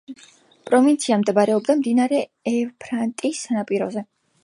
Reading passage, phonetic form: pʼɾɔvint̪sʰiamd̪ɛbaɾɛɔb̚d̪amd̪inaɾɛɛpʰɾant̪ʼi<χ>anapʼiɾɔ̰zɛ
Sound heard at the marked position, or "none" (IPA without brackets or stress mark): s